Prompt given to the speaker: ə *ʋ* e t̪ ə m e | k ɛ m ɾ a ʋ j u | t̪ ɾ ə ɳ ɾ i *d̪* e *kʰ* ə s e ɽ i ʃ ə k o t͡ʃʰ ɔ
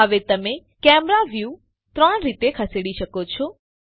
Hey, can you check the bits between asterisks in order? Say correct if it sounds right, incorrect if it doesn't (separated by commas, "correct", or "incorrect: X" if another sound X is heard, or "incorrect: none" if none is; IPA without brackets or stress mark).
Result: correct, incorrect: t̪, correct